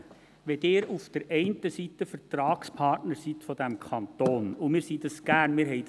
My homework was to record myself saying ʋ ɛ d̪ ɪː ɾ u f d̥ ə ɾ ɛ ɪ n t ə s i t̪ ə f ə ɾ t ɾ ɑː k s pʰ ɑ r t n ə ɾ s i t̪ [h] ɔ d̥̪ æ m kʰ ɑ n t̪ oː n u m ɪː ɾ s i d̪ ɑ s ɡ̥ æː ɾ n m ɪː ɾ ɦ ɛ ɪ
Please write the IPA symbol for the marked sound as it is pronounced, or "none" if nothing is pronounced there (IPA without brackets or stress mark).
f